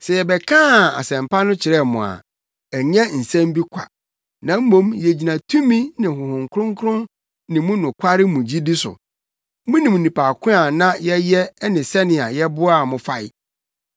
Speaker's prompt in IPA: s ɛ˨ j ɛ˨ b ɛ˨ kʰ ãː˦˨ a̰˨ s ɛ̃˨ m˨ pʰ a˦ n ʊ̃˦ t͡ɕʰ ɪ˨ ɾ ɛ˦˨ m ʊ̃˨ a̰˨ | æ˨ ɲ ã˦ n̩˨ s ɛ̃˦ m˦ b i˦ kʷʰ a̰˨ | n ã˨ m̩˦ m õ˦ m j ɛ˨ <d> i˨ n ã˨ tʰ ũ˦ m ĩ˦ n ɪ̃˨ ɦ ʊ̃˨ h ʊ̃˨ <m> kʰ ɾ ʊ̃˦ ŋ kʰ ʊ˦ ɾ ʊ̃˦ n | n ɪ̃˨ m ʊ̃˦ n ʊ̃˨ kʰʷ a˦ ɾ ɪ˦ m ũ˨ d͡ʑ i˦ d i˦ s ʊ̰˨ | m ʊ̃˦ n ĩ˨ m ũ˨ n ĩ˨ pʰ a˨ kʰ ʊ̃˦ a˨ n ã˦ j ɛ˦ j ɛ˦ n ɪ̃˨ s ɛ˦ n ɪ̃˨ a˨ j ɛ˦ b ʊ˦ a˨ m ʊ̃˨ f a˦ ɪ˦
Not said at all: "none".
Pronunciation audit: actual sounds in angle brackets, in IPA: d͡ʑ, ŋ

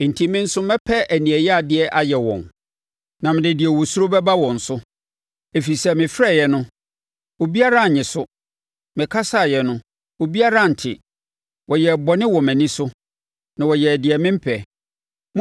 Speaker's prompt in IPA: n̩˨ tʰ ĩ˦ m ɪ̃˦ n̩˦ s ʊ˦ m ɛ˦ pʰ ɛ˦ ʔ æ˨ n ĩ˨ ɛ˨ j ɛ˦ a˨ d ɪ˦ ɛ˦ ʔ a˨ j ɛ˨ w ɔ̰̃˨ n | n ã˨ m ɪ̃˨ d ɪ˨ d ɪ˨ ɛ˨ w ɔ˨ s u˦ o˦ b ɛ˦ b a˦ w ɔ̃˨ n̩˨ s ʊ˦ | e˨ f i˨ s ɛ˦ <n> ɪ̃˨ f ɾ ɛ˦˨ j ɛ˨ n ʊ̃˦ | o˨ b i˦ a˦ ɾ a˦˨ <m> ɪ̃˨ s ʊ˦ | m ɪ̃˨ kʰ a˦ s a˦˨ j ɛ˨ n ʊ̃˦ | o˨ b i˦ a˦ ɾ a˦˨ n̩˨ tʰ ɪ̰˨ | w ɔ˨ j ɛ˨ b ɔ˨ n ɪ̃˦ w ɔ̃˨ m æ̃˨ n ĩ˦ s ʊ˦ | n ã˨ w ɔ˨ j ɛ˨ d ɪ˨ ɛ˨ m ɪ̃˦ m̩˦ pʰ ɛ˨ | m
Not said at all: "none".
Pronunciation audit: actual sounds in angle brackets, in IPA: m, ɲ

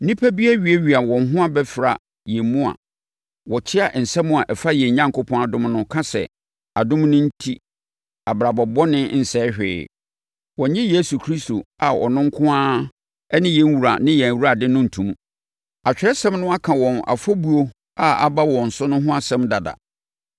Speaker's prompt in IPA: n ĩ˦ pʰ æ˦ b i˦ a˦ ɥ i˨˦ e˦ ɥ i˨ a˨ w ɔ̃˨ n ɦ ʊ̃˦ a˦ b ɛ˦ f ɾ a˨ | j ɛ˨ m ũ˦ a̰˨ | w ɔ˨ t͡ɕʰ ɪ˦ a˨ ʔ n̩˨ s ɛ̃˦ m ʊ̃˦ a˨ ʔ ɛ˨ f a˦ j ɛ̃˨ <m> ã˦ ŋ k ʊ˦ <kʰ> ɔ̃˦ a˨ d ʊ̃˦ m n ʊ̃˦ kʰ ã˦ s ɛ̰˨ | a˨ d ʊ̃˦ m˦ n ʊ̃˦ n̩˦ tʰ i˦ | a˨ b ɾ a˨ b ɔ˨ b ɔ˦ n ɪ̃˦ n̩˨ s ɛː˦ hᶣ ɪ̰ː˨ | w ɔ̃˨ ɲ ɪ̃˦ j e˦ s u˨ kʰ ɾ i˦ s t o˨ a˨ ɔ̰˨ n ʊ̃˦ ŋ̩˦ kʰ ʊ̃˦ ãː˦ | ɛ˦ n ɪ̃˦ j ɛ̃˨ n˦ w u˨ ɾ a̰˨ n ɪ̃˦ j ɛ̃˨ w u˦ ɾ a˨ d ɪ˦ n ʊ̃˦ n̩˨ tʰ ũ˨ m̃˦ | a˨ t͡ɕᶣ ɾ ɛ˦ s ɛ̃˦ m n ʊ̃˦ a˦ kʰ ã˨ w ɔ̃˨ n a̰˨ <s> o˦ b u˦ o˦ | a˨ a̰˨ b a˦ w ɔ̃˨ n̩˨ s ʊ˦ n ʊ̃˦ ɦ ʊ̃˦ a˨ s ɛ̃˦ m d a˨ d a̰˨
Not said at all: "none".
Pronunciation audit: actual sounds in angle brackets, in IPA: ɲ, pʰ, f

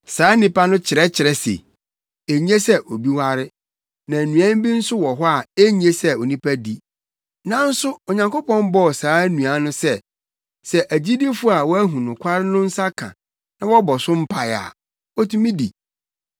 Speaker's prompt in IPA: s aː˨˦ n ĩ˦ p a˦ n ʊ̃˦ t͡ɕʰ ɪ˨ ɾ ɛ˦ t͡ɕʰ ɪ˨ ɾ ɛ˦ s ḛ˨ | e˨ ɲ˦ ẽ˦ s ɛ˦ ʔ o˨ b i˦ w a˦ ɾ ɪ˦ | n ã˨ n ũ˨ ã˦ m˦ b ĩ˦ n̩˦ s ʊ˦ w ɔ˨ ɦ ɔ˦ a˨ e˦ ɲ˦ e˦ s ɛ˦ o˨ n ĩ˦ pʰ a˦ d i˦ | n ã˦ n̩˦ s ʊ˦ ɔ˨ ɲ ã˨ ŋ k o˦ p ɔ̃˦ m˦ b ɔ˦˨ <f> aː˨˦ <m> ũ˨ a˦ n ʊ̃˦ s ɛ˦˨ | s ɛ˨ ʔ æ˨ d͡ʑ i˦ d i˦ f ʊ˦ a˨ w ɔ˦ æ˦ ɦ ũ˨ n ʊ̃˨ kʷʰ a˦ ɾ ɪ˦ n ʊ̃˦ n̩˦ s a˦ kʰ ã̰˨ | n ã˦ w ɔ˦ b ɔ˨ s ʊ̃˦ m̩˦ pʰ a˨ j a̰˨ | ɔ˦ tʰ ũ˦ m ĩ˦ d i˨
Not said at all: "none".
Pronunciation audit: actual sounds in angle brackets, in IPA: s, n

